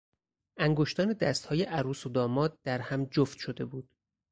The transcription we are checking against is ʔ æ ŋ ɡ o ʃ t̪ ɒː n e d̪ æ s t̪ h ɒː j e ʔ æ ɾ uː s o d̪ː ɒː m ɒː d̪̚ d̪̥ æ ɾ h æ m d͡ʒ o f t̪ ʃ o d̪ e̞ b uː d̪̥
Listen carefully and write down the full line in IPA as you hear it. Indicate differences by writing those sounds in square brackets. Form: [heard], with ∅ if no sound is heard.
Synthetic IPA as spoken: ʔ æ ŋ ɡ o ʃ t̪ ɒː n e d̪ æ s t̪ h ɒː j e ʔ æ ɾ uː s o [d̪] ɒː m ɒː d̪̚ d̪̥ æ ɾ h æ m d͡ʒ o f t̪ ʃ o d̪ e̞ b uː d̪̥